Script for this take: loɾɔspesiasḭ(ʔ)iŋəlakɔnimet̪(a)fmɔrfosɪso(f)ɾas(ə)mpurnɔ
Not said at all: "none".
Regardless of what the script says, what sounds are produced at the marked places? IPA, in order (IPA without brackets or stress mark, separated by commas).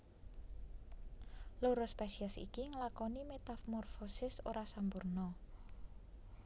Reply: k, a, none, a